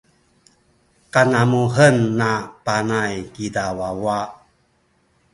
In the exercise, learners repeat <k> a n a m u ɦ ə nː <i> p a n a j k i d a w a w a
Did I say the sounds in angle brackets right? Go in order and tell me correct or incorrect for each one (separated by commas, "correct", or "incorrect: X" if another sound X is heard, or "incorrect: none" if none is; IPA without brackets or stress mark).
correct, incorrect: a